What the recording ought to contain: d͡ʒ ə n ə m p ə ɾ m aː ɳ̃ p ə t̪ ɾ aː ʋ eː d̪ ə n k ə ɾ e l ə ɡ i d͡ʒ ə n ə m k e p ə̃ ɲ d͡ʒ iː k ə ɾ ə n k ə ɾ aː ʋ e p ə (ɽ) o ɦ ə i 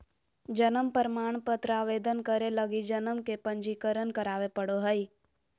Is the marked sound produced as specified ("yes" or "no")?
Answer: yes